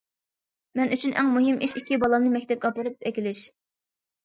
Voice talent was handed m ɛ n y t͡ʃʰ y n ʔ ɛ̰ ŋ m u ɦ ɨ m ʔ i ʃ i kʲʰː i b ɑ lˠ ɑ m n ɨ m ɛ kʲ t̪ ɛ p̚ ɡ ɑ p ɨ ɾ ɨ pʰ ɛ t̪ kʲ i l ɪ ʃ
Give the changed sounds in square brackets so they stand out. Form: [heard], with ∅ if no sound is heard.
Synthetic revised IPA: m ɛ n y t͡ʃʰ y n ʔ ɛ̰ ŋ m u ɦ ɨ m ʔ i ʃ i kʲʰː i b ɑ lˠ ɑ m n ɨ m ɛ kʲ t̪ ɛ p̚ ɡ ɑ p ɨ ɾ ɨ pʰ ɛ [∅] kʲ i l ɪ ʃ